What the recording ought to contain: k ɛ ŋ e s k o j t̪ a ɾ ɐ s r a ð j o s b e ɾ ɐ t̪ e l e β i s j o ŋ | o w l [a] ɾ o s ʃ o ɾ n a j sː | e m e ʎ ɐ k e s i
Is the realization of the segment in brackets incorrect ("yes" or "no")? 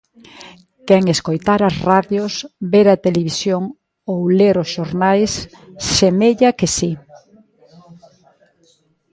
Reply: yes